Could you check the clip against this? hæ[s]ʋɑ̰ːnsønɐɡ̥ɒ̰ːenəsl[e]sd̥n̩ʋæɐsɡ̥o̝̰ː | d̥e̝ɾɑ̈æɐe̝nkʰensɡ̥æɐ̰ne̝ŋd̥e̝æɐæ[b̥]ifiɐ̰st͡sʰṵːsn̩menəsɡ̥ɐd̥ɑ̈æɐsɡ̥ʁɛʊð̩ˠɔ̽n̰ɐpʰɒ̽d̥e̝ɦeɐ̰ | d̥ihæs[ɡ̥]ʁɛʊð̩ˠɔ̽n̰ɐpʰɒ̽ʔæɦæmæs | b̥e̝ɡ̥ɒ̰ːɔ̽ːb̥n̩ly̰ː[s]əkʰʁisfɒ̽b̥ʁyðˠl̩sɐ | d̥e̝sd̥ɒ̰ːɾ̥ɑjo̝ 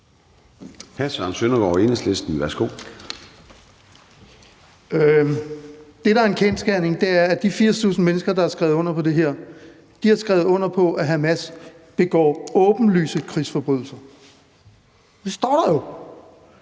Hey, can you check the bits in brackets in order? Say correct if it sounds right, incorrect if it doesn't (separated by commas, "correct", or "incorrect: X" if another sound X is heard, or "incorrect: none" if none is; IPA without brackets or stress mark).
correct, correct, incorrect: d̥, correct, correct